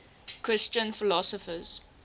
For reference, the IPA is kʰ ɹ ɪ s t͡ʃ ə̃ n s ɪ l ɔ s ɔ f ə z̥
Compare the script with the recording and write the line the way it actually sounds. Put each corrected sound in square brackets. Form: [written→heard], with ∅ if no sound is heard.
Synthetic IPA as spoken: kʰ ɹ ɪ s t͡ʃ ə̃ n [s→f] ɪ l ɔ s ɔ f ə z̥